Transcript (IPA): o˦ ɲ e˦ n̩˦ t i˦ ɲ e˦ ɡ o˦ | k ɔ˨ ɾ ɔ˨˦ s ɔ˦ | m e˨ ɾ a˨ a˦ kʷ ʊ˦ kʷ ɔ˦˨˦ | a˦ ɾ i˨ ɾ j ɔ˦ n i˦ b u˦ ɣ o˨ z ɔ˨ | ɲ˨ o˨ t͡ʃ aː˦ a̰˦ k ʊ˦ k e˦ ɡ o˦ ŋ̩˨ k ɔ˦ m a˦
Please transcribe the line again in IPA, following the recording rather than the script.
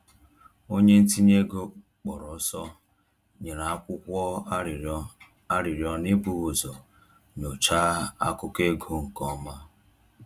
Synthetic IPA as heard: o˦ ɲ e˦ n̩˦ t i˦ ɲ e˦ ɡ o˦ | k͡p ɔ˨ ɾ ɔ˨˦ s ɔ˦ | ɲ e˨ ɾ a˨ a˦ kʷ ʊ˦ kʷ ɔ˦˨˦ | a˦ ɾ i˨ ɾ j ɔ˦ n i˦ b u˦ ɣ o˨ z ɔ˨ | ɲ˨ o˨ t͡ʃ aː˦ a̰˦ k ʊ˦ k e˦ ɡ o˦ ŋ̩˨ k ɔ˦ m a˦